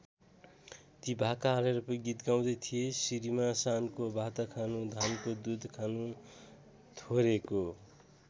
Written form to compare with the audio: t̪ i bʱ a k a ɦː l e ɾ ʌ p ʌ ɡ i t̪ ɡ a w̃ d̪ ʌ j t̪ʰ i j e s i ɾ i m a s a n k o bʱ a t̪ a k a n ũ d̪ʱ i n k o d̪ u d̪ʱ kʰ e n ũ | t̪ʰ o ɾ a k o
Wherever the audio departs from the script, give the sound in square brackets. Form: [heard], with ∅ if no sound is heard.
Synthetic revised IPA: t̪ i bʱ a k a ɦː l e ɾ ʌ p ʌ ɡ i t̪ ɡ a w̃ d̪ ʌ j t̪ʰ i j e s i ɾ i m a s a n k o bʱ a t̪ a [kʰ] a n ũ d̪ʱ [a] n k o d̪ u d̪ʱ kʰ [a] n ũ | t̪ʰ o ɾ [e] k o